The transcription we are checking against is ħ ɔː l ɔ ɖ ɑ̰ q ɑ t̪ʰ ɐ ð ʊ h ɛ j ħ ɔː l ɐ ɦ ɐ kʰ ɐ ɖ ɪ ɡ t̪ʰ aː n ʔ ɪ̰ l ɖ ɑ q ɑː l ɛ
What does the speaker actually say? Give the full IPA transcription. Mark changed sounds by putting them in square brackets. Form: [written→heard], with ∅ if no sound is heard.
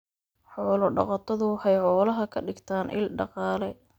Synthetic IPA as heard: ħ ɔː l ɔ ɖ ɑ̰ q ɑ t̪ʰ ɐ ð ʊ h ɛ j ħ ɔː l ɐ ɦ ɐ kʰ ɐ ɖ ɪ ɡ t̪ʰ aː n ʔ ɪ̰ l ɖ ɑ q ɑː l ɛ